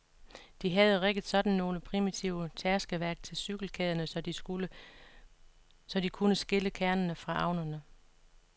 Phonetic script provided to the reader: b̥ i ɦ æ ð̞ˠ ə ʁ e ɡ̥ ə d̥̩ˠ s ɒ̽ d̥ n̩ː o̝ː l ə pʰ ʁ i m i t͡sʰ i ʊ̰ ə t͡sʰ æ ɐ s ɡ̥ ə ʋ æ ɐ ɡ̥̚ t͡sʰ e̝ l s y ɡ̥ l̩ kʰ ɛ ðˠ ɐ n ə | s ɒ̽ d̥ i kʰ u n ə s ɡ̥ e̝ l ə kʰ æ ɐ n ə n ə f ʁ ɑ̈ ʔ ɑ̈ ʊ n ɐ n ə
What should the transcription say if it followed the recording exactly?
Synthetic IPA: d̥ i ɦ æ ð̞ˠ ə ʁ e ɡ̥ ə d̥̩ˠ s ɒ̽ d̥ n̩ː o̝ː l ə pʰ ʁ i m i t͡sʰ i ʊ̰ ə t͡sʰ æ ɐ s ɡ̥ ə ʋ æ ɐ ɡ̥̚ t͡sʰ e̝ l s y ɡ̥ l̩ kʰ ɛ ðˠ ɐ n ə | s ɒ̽ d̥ i kʰ u n ə s ɡ̥ e̝ l ə kʰ æ ɐ n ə n ə f ʁ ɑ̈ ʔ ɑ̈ ʊ n ɐ n ə